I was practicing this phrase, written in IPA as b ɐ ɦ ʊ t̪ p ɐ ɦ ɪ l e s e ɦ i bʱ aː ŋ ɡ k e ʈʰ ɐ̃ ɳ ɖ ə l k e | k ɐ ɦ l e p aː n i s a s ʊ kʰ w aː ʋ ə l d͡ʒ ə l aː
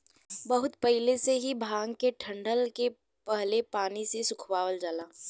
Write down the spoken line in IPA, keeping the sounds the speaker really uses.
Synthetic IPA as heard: b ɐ ɦ ʊ t̪ p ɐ ɦ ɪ l e s e ɦ i bʱ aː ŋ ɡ k e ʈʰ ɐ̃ ɳ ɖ ə l k e | p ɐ ɦ l e p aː n i s e s ʊ kʰ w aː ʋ ə l d͡ʒ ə l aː